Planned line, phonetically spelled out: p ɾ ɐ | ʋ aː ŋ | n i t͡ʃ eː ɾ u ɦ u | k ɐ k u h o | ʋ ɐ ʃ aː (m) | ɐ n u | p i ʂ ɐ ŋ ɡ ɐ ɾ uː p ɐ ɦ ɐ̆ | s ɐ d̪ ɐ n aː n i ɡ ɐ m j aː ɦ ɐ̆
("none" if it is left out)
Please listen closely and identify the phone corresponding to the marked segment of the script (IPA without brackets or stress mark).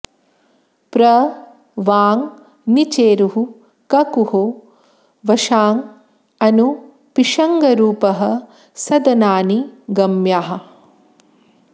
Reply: ŋ